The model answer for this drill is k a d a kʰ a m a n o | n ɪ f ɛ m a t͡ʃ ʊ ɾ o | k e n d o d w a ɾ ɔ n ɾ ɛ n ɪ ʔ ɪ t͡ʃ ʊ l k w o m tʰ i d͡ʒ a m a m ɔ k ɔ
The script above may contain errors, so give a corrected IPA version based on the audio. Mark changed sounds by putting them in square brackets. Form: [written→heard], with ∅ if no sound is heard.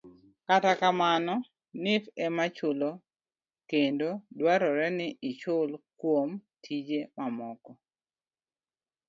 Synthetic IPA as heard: k a [d→t] a [kʰ→k] a m a n [o→ɔ] | n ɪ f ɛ m a t͡ʃ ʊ [ɾ→l] o | k e n d o d w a ɾ ɔ [n→∅] ɾ ɛ n ɪ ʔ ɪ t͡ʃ ʊ l k w o m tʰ i d͡ʒ [a→e] m a m ɔ k ɔ